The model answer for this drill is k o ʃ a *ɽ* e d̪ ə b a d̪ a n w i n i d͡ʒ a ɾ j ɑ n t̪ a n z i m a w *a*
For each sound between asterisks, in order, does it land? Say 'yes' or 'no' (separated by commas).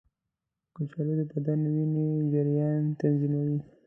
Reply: no, no